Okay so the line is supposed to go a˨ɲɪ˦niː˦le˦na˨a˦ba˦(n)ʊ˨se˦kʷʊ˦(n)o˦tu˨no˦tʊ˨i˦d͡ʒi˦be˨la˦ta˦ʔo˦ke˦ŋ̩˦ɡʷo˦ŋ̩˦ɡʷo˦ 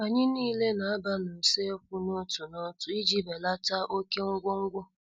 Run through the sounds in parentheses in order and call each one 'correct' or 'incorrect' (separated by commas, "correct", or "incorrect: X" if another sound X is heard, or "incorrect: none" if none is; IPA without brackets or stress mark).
correct, correct